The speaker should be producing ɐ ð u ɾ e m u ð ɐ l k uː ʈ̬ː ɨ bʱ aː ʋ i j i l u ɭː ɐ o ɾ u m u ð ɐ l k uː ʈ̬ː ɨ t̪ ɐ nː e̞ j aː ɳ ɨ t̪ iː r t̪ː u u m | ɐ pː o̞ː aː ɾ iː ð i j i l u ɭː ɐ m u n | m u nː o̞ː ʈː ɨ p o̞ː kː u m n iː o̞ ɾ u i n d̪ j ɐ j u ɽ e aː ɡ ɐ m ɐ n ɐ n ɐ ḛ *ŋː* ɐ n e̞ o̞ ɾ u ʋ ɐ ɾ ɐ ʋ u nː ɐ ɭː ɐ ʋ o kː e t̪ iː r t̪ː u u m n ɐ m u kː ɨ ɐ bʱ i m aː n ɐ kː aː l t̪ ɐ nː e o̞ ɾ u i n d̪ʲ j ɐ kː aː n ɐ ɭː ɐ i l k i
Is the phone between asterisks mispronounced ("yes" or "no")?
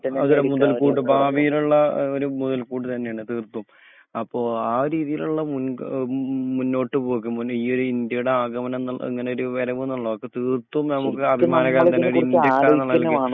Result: no